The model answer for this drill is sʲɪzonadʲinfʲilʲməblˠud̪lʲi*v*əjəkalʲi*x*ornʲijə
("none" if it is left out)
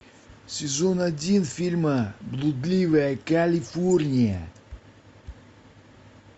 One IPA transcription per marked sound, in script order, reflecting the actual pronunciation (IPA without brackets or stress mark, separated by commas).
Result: v, f